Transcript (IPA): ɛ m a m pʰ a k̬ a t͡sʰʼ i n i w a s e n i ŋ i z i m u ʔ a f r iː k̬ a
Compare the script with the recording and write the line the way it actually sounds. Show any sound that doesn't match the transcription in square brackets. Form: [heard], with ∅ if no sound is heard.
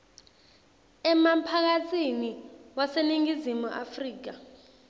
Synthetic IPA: ɛ m a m pʰ a k̬ a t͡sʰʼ i n i w a s e n i ŋ i z i m u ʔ a f r iː k̬ a